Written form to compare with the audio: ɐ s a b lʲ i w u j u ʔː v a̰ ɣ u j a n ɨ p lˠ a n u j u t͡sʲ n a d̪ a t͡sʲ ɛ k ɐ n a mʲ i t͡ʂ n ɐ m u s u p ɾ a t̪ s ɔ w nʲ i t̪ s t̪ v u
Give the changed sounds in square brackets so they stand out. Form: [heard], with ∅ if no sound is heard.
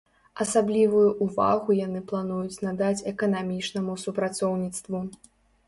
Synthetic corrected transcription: ɐ s a b lʲ i [v] u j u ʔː v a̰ ɣ u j a n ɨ p lˠ a n u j u t͡sʲ n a d̪ a t͡sʲ ɛ k ɐ n a mʲ i t͡ʂ n ɐ m u s u p ɾ a t̪ s ɔ w nʲ i t̪ s t̪ v u